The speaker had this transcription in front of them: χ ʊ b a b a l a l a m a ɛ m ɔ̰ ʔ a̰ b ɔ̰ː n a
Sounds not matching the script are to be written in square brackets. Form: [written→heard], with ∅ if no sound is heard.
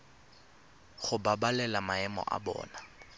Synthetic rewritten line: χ ʊ b a b a l [a→ɛ] l a m a ɛ m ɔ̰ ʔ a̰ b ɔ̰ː n a